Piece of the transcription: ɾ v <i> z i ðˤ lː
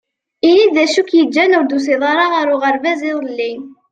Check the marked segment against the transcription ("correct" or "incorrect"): incorrect